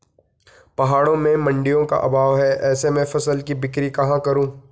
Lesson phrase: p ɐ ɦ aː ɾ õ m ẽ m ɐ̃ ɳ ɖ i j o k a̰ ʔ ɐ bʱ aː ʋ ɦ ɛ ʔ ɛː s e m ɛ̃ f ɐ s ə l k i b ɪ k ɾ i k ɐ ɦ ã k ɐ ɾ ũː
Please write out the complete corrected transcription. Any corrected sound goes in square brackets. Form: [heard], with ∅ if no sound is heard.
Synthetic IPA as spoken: p ɐ ɦ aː [ɽ] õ m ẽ m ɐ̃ ɳ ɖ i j [õ] k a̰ ʔ ɐ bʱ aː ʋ ɦ ɛ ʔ ɛː s e m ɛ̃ f ɐ s ə l k i b ɪ k ɾ i k ɐ ɦ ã k ɐ ɾ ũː